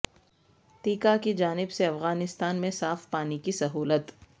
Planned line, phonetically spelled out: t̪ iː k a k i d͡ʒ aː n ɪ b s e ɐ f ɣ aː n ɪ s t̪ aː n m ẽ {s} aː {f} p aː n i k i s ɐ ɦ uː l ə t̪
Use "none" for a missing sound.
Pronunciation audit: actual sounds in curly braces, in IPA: s, f

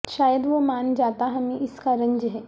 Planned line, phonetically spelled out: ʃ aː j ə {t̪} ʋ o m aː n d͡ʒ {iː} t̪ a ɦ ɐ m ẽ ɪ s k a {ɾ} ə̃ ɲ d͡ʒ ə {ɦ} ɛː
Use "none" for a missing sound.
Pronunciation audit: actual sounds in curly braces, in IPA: d̪, aː, ɾ, ɦ

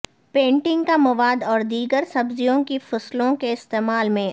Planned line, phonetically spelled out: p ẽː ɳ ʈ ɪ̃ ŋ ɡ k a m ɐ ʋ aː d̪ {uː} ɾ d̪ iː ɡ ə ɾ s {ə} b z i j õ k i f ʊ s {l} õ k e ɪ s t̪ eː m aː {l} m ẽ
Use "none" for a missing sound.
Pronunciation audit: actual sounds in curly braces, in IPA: ɔː, ɐ, l, l

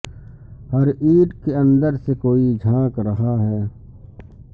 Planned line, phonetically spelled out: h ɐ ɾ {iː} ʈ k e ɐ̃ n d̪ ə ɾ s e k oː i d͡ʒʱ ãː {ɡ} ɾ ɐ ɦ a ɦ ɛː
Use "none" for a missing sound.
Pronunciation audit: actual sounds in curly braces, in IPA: iː, k

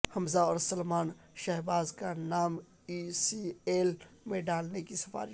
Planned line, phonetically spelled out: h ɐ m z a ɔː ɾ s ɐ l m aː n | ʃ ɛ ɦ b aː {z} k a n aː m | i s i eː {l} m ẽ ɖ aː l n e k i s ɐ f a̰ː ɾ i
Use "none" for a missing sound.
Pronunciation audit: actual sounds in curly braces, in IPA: z, l

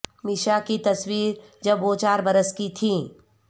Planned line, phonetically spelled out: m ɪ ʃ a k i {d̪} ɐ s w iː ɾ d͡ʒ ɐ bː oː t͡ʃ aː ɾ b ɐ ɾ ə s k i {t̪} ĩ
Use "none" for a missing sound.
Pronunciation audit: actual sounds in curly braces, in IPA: t̪, t̪ʰ

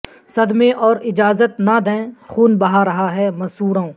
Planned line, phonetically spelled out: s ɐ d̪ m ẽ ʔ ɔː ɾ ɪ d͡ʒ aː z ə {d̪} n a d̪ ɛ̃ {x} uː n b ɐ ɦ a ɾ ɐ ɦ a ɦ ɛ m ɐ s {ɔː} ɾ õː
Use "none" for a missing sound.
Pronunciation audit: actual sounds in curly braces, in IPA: t̪, x, uː

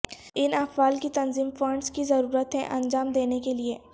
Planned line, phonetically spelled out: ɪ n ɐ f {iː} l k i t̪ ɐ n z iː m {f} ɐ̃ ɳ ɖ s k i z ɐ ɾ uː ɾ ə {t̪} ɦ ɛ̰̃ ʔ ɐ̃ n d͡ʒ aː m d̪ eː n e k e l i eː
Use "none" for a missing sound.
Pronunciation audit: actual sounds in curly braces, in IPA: aː, f, t̪

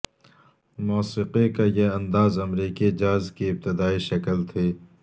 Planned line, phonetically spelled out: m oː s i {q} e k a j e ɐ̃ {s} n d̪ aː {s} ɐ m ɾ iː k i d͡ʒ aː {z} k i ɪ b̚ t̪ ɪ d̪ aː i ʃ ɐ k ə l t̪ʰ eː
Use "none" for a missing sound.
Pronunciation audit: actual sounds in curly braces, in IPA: q, none, z, z

